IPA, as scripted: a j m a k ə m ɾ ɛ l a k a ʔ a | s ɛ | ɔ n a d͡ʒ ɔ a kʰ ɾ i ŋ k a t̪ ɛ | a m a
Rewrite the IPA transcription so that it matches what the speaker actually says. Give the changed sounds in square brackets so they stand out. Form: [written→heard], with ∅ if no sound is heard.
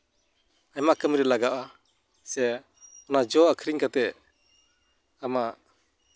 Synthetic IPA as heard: a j m a k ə m ɾ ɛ l a [k→ɡ] a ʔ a | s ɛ | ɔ n a d͡ʒ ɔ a kʰ ɾ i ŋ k a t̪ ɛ | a m a

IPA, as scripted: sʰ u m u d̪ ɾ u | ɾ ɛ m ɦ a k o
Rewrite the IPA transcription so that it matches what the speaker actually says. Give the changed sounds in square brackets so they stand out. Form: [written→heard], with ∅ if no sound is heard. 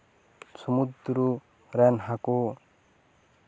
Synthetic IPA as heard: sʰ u m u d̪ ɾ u | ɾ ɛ [m→n] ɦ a k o

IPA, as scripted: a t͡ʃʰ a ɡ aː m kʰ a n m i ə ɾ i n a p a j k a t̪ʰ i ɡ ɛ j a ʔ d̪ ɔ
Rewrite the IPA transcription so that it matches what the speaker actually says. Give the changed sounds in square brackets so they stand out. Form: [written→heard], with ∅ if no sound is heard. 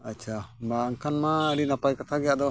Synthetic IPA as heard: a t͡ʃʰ a [ɡ→b] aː [m→ŋ] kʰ a n m [i→a] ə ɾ i n a p a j k a t̪ʰ [i→a] ɡ ɛ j a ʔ d̪ ɔ

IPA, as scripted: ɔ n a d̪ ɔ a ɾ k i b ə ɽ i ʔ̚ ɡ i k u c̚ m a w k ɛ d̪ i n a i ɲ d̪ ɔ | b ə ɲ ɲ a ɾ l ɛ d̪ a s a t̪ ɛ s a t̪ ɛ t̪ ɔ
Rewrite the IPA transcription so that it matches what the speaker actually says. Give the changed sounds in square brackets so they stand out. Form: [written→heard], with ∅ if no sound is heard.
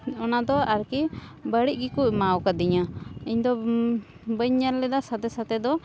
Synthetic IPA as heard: ɔ n a d̪ ɔ a ɾ k i b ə ɽ i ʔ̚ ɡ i k u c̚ m a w k [ɛ→a] d̪ i [n→ɲ] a i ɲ d̪ ɔ | b ə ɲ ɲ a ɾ l ɛ d̪ a s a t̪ ɛ s a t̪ ɛ [t̪→d̪] ɔ

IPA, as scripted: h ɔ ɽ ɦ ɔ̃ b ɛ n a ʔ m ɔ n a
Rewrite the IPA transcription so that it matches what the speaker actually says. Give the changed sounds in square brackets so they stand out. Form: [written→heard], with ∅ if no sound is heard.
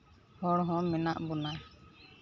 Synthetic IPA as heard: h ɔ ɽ ɦ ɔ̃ [b→m] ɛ n a ʔ [m→b] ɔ n a

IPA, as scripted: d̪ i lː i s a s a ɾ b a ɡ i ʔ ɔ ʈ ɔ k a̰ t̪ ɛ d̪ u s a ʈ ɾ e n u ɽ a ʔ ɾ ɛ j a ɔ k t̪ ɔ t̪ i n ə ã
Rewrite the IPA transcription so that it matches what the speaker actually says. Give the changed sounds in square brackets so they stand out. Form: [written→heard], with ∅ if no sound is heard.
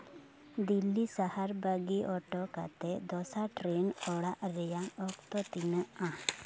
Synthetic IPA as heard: d̪ i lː i s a [s→h] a ɾ b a ɡ i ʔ ɔ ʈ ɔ k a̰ t̪ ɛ d̪ [u→ɔ] s a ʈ ɾ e n [u→ɔ] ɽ a ʔ ɾ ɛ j a ɔ k t̪ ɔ t̪ i n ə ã

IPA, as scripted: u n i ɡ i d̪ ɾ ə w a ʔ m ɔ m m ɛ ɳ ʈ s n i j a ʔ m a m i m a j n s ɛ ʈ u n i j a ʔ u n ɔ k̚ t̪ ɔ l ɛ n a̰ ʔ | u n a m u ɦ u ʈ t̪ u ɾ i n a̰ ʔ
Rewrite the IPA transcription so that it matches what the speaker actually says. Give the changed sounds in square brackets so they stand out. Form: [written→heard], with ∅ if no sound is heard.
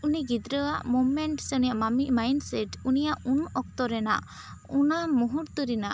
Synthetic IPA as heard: u n i ɡ i d̪ ɾ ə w a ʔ m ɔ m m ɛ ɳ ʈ s n i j a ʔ m a m i m a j n s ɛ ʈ u n i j a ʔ u n ɔ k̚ t̪ ɔ [l→ɾ] ɛ n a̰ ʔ | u n a m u ɦ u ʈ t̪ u ɾ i n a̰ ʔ

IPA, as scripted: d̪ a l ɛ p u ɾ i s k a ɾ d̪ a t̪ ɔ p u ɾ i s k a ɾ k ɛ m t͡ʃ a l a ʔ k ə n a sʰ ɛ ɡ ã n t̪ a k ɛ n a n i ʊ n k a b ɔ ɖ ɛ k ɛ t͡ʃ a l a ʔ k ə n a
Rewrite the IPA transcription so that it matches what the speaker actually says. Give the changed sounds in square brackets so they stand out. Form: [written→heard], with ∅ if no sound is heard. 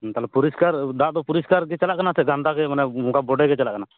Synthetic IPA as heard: [d̪→t̪] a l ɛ p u ɾ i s k a ɾ d̪ a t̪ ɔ p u ɾ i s k a ɾ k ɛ [m→∅] t͡ʃ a l a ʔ k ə n a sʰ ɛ ɡ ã n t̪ a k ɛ [n→m] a n [i→ɛ] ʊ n k a b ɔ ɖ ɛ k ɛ t͡ʃ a l a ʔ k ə n a

